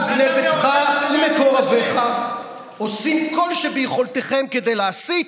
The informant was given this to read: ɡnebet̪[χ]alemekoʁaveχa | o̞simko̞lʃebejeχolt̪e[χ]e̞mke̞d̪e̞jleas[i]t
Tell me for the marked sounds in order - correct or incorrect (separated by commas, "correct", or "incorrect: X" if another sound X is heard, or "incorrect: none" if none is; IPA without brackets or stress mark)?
correct, correct, correct